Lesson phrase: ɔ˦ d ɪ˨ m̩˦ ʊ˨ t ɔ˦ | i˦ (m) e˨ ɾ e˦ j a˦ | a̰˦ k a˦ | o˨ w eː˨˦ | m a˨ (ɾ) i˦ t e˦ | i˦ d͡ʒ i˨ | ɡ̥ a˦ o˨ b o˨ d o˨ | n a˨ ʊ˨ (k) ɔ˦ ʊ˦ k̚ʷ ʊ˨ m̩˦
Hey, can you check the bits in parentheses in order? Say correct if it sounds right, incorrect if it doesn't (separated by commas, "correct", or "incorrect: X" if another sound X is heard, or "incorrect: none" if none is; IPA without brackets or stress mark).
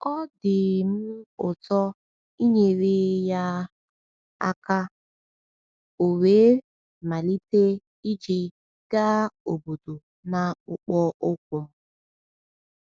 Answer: incorrect: ɲ, incorrect: l, incorrect: k͡p